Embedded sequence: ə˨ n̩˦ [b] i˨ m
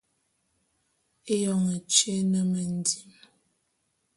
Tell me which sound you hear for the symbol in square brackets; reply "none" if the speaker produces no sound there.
d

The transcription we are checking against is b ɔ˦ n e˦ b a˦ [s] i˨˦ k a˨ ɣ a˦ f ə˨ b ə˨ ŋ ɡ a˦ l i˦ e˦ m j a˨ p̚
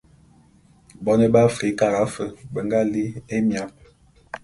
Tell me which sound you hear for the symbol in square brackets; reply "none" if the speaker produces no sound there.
f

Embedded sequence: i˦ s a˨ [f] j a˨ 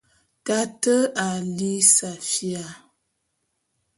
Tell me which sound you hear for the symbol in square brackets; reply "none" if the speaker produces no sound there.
f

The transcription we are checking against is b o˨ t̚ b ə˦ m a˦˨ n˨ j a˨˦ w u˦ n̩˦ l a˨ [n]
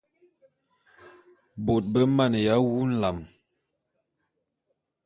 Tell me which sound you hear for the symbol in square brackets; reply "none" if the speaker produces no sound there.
m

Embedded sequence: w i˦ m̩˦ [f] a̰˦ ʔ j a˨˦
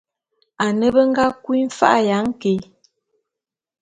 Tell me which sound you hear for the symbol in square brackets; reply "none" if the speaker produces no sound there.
f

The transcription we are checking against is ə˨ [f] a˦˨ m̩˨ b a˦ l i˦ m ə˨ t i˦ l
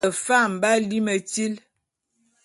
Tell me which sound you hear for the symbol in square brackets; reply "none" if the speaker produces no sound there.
f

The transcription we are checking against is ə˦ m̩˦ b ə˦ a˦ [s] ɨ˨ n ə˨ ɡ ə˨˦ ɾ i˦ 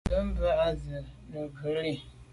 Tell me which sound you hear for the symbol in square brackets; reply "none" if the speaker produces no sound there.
z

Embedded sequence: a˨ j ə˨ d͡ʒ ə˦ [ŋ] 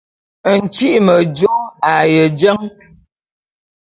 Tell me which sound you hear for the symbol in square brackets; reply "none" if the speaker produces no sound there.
ŋ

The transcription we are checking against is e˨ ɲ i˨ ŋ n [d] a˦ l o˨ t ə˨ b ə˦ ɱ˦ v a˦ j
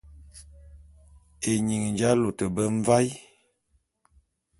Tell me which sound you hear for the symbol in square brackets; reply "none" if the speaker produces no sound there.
d͡ʒ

